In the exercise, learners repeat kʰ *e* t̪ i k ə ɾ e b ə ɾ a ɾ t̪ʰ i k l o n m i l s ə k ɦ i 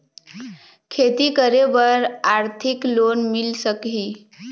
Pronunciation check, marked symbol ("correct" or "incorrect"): correct